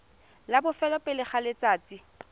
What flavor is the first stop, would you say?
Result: plain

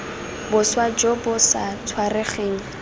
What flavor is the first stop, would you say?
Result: plain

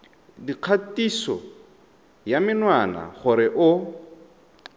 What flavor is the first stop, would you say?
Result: plain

